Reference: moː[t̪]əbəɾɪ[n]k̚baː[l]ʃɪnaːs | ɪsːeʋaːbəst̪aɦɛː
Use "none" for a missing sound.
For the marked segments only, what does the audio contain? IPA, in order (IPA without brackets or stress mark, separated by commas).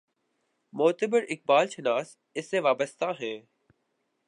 t̪, none, l